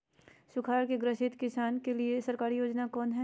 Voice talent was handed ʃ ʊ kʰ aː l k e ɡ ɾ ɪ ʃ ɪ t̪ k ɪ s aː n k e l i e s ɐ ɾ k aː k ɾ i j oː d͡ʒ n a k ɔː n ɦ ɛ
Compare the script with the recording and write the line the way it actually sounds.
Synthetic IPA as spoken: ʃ ʊ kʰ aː ɾ k e ɡ ɾ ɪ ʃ ɪ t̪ k ɪ s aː n k e l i e s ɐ ɾ k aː ɾ i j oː d͡ʒ n a k ɔː n ɦ ɛ